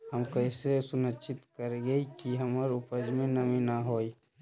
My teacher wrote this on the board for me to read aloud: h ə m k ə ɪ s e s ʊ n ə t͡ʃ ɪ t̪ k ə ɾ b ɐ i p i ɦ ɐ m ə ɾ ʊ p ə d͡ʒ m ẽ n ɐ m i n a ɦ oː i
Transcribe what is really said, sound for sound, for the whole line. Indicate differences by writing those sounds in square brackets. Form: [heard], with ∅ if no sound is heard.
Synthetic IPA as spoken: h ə m k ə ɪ s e s ʊ n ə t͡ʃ ɪ t̪ k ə ɾ [ɡ] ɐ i [k] i ɦ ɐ m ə ɾ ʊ p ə d͡ʒ m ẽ n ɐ m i n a ɦ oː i